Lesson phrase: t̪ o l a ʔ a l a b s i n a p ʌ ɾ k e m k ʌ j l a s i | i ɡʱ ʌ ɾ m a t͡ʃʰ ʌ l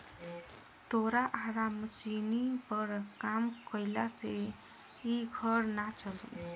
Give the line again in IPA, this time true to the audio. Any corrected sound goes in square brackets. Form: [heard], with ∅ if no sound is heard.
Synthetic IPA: t̪ o [ɾ] a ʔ a [ɾ] a [m] s i n [i] p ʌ ɾ k [a] m k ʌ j l a s [e] | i ɡʱ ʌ ɾ [n] a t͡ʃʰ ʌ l